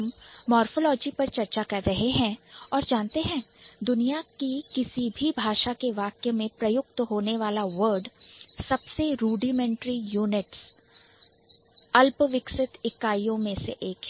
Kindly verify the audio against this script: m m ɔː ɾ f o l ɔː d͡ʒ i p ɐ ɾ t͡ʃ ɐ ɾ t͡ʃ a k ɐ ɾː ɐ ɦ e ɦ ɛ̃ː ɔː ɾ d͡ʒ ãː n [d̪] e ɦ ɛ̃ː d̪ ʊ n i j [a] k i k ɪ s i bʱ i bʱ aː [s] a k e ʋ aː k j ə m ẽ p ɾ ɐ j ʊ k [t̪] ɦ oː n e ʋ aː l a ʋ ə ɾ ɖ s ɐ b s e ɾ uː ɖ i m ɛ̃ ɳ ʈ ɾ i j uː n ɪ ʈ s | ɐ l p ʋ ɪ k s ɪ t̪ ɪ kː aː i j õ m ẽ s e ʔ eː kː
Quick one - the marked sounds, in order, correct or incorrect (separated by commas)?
incorrect, correct, incorrect, correct